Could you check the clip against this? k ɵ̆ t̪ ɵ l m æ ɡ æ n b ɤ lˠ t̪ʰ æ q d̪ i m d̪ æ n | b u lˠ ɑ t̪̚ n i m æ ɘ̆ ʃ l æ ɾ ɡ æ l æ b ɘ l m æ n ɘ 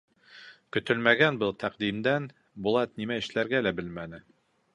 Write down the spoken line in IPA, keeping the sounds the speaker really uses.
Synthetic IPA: k ɵ̆ t̪ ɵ l m æ ɡ æ n b ɤ lˠ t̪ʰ æ q d̪ i m d̪ æ n | b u lˠ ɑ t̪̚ n i m æ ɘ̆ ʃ l æ ɾ ɡ æ l æ b ɘ l m æ n ɘ